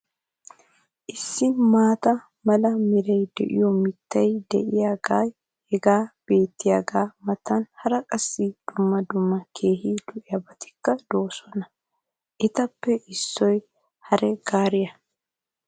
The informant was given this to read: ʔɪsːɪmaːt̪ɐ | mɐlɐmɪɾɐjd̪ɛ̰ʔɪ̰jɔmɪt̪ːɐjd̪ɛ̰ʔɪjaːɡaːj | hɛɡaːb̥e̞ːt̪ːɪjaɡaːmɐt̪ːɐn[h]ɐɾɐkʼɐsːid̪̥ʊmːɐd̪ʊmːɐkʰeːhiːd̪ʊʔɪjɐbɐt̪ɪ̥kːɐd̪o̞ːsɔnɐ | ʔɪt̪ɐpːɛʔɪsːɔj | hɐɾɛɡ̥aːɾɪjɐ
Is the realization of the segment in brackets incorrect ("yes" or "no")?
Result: no